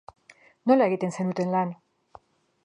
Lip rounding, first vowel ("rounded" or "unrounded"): rounded